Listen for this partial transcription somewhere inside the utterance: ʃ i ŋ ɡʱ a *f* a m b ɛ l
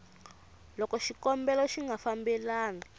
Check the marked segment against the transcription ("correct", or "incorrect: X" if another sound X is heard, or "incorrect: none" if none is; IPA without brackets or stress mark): correct